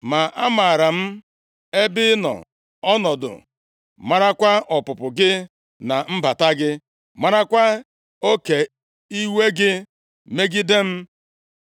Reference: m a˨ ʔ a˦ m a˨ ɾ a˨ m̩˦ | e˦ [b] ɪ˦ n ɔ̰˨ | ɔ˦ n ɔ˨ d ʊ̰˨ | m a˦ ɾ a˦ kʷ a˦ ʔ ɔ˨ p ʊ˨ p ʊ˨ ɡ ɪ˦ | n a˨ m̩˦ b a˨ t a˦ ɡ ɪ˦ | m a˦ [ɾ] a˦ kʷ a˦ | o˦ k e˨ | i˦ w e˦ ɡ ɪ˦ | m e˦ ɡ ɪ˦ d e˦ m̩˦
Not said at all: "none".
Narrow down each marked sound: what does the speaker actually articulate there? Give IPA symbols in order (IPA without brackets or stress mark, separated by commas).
b, ɾ